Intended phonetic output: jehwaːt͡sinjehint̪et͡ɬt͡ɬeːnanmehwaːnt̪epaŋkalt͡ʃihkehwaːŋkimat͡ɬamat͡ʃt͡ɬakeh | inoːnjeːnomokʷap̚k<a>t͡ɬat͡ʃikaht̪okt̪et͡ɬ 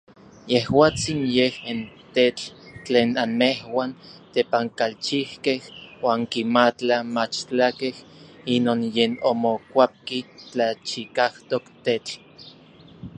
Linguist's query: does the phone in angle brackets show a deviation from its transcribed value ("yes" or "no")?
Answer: yes